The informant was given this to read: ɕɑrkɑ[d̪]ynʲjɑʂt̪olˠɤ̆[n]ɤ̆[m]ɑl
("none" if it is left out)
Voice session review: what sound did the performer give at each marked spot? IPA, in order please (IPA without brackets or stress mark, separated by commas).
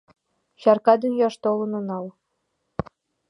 d̪, n, n